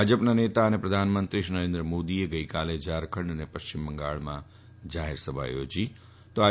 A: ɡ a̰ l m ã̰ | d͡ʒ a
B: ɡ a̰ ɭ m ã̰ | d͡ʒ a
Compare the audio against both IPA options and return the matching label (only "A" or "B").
B